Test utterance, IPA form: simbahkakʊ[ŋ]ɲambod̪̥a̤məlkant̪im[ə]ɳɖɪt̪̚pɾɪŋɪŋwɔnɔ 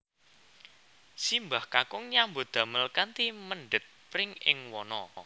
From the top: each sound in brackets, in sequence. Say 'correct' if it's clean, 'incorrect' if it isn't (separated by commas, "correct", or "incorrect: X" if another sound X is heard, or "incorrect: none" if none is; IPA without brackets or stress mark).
correct, correct